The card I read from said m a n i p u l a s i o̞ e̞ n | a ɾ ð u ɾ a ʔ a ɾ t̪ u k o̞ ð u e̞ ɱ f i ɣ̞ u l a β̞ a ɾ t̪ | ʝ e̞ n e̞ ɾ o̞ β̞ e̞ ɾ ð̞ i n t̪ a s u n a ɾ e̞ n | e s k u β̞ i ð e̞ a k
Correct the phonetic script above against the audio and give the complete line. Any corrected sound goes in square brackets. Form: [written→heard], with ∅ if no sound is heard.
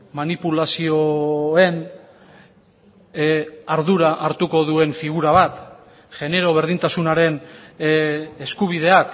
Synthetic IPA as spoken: m a n i p u l a s i o̞ e̞ n | a ɾ ð u ɾ a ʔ a ɾ t̪ u k o̞ ð u e̞ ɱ f i ɣ̞ u [l→ɾ] a β̞ a [ɾ→∅] t̪ | ʝ e̞ n e̞ ɾ o̞ β̞ e̞ ɾ ð̞ i n t̪ a s u n a ɾ e̞ n | e s k u β̞ i ð e̞ a k